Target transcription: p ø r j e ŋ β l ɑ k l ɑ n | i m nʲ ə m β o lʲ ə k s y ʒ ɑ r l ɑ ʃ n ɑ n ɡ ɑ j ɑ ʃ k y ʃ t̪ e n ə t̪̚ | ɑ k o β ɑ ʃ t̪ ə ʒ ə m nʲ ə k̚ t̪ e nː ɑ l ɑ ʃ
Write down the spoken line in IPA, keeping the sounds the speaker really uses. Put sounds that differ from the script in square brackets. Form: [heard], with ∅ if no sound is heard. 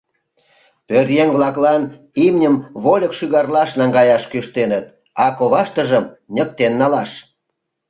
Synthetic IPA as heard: p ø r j e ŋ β l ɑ k l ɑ n | i m nʲ ə m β o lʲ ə k [ʃ] y [ɣ] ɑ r l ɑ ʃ n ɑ [ŋ] ɡ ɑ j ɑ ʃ k y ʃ t̪ e n ə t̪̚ | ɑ k o β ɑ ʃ t̪ ə ʒ ə m nʲ ə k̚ t̪ e nː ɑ l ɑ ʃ